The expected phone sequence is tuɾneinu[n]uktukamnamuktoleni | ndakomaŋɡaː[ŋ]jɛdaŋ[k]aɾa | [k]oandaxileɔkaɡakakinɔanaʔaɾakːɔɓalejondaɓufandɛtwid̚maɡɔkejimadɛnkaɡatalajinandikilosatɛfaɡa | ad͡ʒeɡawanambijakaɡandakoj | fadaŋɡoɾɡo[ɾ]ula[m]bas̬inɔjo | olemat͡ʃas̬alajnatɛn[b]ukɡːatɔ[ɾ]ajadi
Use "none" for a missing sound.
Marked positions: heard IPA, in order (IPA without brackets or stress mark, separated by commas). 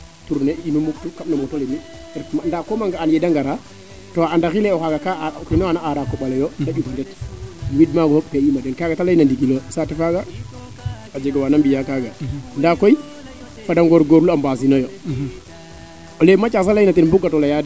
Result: m, n, ɡ, t, ɾ, m, b, l